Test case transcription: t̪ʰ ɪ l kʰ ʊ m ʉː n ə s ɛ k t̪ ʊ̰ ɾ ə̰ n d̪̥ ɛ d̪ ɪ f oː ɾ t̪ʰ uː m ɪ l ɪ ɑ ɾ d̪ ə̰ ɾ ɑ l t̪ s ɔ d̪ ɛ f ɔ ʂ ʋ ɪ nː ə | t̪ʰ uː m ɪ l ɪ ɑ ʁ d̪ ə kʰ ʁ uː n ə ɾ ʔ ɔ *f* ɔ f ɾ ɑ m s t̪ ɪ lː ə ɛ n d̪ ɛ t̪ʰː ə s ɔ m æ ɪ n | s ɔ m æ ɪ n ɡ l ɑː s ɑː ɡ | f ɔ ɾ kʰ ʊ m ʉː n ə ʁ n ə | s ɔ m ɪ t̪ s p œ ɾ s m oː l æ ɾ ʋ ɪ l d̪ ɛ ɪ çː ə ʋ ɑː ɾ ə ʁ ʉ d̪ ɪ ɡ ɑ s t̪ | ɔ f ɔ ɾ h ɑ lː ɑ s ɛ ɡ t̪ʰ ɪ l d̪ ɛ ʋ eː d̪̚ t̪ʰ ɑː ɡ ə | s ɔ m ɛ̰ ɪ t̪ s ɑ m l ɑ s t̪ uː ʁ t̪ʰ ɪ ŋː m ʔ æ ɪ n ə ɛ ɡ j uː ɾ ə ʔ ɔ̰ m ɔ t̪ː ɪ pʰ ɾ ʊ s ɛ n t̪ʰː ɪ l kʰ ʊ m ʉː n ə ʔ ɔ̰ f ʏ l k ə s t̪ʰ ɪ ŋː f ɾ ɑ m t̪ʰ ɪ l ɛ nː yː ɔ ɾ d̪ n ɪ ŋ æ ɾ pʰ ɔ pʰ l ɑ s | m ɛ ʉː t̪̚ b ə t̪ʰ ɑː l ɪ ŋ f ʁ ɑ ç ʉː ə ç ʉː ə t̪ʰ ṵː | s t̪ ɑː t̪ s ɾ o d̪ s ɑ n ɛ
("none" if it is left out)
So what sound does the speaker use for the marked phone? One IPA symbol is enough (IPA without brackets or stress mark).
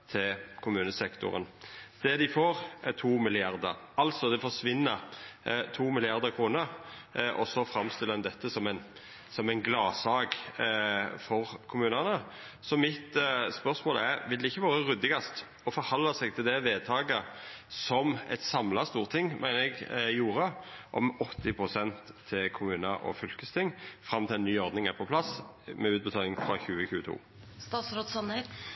s